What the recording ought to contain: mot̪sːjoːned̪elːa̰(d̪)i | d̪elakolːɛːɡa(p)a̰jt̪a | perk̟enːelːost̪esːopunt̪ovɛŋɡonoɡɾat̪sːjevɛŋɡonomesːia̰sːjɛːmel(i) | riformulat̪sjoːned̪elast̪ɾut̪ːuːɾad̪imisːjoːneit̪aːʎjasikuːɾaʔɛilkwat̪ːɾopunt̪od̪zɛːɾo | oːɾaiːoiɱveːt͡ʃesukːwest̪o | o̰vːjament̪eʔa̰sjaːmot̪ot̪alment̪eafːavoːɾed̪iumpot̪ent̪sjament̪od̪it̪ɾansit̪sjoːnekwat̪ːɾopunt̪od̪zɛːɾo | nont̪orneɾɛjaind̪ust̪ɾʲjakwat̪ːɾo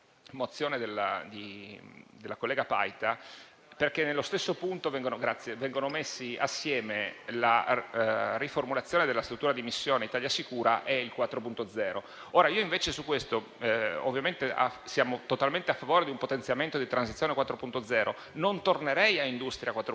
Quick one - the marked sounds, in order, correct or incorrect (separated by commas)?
correct, correct, incorrect